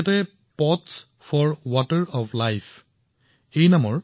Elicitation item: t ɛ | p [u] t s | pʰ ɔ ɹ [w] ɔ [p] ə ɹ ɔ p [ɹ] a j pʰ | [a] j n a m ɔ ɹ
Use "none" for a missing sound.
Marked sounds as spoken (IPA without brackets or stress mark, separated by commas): ɔ, w, t, l, e